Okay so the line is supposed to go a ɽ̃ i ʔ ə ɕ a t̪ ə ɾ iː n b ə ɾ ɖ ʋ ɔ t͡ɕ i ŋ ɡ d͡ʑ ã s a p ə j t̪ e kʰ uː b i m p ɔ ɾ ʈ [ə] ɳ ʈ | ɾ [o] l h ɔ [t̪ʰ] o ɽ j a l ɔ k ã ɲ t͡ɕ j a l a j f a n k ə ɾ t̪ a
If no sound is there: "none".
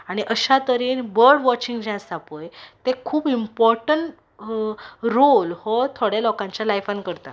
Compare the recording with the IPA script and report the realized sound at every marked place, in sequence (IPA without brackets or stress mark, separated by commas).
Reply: ə, o, t̪ʰ